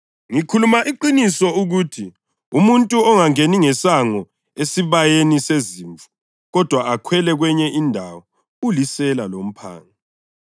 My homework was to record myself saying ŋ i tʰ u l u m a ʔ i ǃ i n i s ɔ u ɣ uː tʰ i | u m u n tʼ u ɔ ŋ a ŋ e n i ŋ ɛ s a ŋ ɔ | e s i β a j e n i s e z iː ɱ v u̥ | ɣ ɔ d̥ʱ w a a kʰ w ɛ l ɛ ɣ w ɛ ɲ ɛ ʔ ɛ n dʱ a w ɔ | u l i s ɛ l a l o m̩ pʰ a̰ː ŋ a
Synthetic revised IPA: ŋ i kʰ u l u m a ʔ i ǃ i n i s ɔ u ɣ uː tʰ i | u m u n tʼ u ɔ ŋ a ŋ e n i ŋ ɛ s a ŋ ɔ | e s i β a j e n i s e z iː ɱ v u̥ | ɣ ɔ d̥ʱ w a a kʰ w ɛ l ɛ ɣ w ɛ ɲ ɛ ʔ i n dʱ a w ɔ | u l i s ɛ l a l o m̩ pʰ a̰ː ŋ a

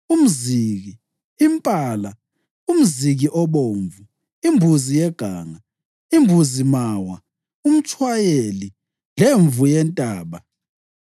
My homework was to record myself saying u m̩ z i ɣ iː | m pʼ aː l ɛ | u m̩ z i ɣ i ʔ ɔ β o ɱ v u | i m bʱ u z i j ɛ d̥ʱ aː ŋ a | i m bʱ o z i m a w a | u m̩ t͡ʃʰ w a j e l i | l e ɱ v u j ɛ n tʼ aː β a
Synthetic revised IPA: u m̩ z i ɣ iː | m pʼ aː l a | u m̩ z i ɣ i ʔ ɔ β o ɱ v u | i m bʱ u z i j ɛ ɡ̥ʱ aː ŋ a | i m bʱ u z i m a w a | u m̩ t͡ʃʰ w a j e l i | l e ɱ v u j ɛ n tʼ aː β a

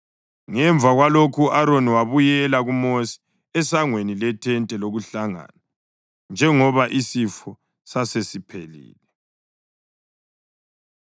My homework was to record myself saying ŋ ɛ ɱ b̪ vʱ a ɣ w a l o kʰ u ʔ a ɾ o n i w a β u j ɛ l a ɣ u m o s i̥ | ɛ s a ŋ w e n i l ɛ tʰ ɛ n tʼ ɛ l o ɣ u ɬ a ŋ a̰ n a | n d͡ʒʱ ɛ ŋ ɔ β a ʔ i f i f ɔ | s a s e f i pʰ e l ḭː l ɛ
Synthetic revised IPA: ŋ ɛ ɱ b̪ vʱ a ɣ w a l o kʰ u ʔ a ɾ o n i w a β u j ɛ l a ɣ u m o s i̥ | ɛ s a ŋ w e n i l ɛ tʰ ɛ n tʼ ɛ l o ɣ u ɬ a ŋ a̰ n a | n d͡ʒʱ ɛ ŋ ɔ β a ʔ i s i f ɔ | s a s e s i pʰ e l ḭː l ɛ

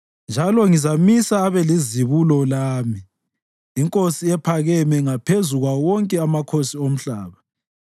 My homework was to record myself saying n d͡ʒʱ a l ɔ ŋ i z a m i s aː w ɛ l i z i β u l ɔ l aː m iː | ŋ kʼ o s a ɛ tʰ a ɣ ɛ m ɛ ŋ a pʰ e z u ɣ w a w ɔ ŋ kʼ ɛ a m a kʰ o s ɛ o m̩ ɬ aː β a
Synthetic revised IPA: n d͡ʒʱ a l ɔ ŋ i z a m i s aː β ɛ l i z i β u l ɔ l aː m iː | ŋ kʼ o s i ɛ pʰ a ɣ ɛ m ɛ ŋ a pʰ e z u ɣ w a w ɔ ŋ kʼ ɛ a m a kʰ o s i o m̩ ɬ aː β a

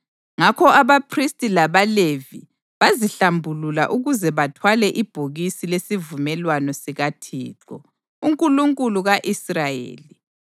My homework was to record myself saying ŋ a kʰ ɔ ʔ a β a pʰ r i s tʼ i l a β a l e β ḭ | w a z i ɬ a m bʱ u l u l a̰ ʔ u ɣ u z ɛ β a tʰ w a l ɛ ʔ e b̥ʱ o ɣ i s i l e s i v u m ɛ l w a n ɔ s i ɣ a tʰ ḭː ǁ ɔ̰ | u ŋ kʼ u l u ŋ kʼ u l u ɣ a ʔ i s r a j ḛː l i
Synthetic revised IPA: ŋ a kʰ ɔ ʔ a β a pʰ r i s tʼ i l a β a l e v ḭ | β a z i ɬ a m bʱ u l u l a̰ ʔ u ɣ u z ɛ β a tʰ w a l ɛ ʔ i b̥ʱ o ɣ i s i l e s i v u m ɛ l w a n ɔ s i ɣ a tʰ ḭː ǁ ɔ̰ | u ŋ kʼ u l u ŋ kʼ u l u ɣ a ʔ i s r a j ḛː l i

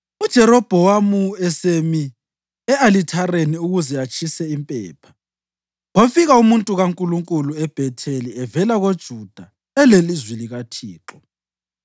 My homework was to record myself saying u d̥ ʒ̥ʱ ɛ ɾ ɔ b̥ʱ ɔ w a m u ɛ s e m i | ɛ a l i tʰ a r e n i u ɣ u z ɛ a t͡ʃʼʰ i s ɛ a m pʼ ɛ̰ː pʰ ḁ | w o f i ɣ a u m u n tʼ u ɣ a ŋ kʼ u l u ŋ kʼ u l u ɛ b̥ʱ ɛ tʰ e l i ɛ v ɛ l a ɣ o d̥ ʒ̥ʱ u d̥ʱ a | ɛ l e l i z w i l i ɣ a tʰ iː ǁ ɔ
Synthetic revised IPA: u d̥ ʒ̥ʱ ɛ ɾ ɔ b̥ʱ ɔ w a m u ɛ s e m i | ɛ a l i tʰ a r e n i u ɣ u z ɛ a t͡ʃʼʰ i s ɛ i m pʼ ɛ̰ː pʰ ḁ | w o f i ɣ a u m u n tʼ u ɣ a ŋ kʼ u l u ŋ kʼ u l u ɛ b̥ʱ ɛ tʰ e l i ɛ v ɛ l a ɣ o d̥ ʒ̥ʱ u d̥ʱ a | ɛ l e l i z w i l i ɣ a tʰ iː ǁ ɔ

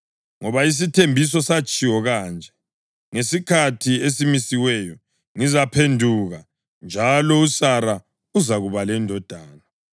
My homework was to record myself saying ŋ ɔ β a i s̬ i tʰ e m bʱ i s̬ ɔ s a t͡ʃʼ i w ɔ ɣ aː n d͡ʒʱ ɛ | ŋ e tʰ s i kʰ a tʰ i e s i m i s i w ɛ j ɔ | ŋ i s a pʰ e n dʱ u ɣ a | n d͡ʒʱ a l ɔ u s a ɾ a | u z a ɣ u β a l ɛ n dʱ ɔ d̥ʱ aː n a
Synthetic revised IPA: ŋ ɔ β a i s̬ i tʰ e m bʱ i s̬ ɔ s a t͡ʃʼ i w ɔ ɣ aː n d͡ʒʱ ɛ | ŋ e s i kʰ a tʰ i e s i m i s i w ɛ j ɔ | ŋ i z a pʰ e n dʱ u ɣ a | n d͡ʒʱ a l ɔ u s a ɾ a | u z a ɣ u β a l ɛ n dʱ ɔ d̥ʱ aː n a

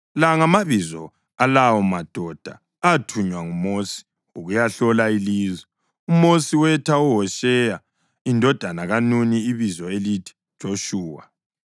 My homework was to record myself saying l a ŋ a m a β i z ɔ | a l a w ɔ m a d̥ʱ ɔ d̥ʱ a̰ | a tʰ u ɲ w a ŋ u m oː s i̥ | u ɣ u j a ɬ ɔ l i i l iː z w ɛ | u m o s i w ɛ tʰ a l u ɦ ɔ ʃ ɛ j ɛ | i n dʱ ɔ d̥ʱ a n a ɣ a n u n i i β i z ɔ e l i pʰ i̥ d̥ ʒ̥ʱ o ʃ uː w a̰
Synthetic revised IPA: l a ŋ a m a β i z ɔ | a l a w ɔ m a d̥ʱ ɔ d̥ʱ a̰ | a tʰ u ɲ w a ŋ u m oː s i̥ | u ɣ u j a ɬ ɔ l a i l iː z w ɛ | u m o s i w ɛ tʰ a u ɦ ɔ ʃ ɛ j a | i n dʱ ɔ d̥ʱ a n a ɣ a n u n i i β i z ɔ e l i tʰ i̥ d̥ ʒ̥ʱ o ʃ uː w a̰

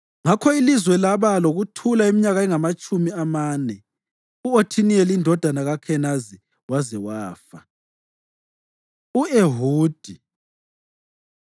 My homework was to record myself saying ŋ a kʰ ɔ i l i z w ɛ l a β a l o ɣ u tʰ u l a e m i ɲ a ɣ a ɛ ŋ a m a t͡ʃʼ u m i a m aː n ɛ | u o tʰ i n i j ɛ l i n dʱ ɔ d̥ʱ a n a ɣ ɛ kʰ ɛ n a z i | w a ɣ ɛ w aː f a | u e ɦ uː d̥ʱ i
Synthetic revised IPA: ŋ a kʰ ɔ i l i z w ɛ l a β a l o ɣ u tʰ u l a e m i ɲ a ɣ a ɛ ŋ a m a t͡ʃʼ u m i a m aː n ɛ | u o tʰ i n i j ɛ l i n dʱ ɔ d̥ʱ a n a ɣ a kʰ ɛ n a z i | w a z ɛ w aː f a | u e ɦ uː d̥ʱ i

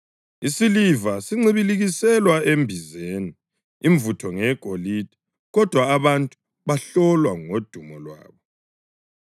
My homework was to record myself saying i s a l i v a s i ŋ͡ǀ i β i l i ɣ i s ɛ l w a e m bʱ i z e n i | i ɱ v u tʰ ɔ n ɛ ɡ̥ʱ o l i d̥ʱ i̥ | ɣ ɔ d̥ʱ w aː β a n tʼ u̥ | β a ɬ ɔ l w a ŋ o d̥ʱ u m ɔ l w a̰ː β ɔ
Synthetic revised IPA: i s i l i v a s i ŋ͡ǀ i β i l i ɣ i s ɛ l w a e m bʱ i z e n i | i ɱ v u tʰ ɔ ŋ ɛ ɡ̥ʱ o l i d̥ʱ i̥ | ɣ ɔ d̥ʱ w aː β a n tʼ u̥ | β a ɬ ɔ l w a ŋ o d̥ʱ u m ɔ l w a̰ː β ɔ

